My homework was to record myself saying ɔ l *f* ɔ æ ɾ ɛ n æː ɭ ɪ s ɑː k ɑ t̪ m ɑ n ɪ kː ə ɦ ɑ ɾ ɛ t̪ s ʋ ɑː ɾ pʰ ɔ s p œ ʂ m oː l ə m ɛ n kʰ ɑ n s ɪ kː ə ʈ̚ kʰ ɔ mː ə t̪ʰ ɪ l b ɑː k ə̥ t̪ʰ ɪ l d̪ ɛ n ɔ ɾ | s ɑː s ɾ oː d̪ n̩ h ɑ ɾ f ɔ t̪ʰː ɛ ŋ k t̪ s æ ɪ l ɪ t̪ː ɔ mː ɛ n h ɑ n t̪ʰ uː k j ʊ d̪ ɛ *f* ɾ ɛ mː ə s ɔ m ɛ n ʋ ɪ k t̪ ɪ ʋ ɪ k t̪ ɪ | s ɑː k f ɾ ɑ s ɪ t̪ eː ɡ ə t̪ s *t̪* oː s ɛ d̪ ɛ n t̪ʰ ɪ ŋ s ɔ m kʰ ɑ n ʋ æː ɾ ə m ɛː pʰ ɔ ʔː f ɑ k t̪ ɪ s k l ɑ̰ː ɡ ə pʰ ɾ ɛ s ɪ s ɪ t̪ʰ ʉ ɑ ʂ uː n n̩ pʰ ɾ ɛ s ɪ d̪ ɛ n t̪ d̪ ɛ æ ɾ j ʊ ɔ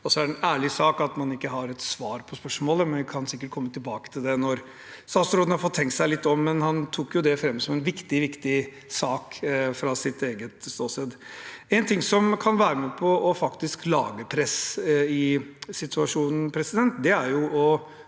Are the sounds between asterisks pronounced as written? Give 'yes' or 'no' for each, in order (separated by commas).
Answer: no, yes, yes